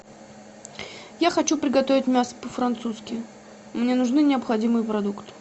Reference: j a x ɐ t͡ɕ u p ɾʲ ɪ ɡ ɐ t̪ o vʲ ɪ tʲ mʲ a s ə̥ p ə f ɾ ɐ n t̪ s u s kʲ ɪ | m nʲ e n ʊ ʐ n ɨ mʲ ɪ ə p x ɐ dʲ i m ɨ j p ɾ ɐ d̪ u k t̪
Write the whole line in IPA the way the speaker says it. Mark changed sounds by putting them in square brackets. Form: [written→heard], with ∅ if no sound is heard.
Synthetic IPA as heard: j a x ɐ t͡ɕ u p ɾʲ ɪ ɡ ɐ t̪ o vʲ ɪ tʲ mʲ a s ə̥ p ə f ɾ ɐ n t̪ s u s kʲ ɪ | m nʲ e n ʊ ʐ n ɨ [mʲ→nʲ] ɪ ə p x ɐ dʲ i m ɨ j p ɾ ɐ d̪ u k t̪